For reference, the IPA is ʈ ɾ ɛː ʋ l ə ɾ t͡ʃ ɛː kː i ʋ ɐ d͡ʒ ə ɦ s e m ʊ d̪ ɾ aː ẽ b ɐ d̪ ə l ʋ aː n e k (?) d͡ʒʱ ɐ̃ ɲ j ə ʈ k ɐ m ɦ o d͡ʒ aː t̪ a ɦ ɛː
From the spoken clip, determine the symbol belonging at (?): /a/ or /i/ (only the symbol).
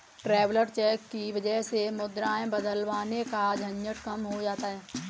a